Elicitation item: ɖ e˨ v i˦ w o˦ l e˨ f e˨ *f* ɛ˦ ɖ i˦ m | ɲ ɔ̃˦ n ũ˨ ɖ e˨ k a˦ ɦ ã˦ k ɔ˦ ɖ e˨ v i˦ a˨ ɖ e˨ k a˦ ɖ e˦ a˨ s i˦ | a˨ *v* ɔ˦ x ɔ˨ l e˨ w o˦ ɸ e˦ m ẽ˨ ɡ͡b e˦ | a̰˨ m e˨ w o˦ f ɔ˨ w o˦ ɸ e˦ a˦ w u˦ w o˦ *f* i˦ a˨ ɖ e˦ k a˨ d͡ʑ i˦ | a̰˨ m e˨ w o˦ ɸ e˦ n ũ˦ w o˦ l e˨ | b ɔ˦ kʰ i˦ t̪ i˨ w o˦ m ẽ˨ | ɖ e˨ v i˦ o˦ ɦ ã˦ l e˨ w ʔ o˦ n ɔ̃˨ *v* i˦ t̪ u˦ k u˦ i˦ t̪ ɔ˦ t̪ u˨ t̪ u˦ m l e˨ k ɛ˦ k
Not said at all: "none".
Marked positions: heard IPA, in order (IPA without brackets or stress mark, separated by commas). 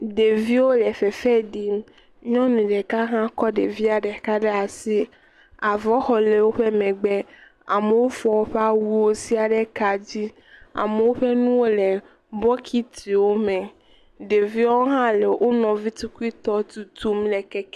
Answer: f, v, s, v